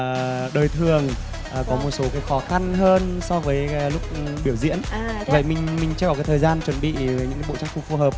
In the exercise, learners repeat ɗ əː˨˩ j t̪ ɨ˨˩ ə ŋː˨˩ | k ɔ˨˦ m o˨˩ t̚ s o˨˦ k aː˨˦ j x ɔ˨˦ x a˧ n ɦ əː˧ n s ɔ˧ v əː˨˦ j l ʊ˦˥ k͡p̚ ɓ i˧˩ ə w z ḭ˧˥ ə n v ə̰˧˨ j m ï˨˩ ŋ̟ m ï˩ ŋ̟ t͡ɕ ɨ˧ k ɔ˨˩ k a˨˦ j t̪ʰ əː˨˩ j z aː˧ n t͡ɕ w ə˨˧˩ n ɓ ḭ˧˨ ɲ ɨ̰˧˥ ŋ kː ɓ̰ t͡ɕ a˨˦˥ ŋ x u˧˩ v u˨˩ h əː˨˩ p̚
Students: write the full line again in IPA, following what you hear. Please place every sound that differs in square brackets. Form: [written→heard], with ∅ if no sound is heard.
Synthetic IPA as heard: ɗ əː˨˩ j [t̪→t̪ʰ] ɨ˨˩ ə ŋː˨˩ | k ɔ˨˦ m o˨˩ t̚ s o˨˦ k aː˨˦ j x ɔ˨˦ x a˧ n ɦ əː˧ n s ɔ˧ v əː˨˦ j l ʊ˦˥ k͡p̚ ɓ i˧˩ ə w z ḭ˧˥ ə n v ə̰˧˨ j m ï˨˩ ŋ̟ m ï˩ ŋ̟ t͡ɕ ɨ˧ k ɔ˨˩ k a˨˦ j t̪ʰ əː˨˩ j z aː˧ n t͡ɕ w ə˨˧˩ n ɓ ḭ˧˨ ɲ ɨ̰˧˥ ŋ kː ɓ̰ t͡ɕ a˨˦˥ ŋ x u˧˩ [v→f] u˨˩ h əː˨˩ p̚